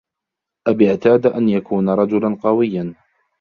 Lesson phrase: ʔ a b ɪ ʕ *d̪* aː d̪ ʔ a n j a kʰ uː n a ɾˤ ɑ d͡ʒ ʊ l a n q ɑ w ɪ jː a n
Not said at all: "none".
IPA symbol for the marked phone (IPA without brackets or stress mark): t̪